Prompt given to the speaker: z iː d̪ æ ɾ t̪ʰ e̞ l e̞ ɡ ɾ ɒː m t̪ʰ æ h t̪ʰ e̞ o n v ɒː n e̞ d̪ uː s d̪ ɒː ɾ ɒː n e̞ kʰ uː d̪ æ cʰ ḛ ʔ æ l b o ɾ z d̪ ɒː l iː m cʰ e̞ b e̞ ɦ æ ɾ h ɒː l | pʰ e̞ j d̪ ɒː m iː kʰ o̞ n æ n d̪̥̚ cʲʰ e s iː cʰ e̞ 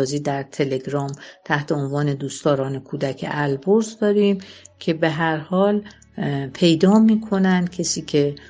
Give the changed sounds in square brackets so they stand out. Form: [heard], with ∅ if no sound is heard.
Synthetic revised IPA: z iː d̪ æ ɾ t̪ʰ e̞ l e̞ ɡ ɾ ɒː m t̪ʰ æ h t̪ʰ e̞ o n v ɒː n e̞ d̪ uː s [t̪] ɒː ɾ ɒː n e̞ kʰ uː d̪ æ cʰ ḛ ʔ æ l b o ɾ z d̪ ɒː [ɾ] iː m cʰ e̞ b e̞ ɦ æ ɾ h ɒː l | pʰ e̞ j d̪ ɒː m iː kʰ o̞ n æ n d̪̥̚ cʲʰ e s iː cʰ e̞